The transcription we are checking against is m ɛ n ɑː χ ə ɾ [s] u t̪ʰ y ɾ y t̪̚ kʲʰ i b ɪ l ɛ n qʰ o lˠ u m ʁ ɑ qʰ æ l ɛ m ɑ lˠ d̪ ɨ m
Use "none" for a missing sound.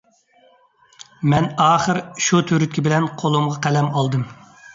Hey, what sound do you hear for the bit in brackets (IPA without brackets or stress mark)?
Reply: ʃ